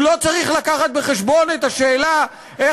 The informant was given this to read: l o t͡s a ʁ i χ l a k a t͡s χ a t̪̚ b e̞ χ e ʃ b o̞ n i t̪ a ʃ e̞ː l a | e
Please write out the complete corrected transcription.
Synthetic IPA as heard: l o t͡s a ʁ i χ l a k a χ a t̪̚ b e̞ χ e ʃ b o̞ n e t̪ a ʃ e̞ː l a | e